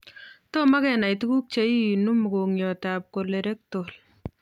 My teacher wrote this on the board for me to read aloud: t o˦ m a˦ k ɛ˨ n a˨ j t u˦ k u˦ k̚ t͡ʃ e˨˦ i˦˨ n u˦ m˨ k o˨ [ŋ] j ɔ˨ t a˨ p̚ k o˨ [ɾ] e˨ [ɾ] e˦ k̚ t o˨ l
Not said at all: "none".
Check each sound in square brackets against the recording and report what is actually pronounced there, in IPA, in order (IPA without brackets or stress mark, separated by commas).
ŋ, l, ɾ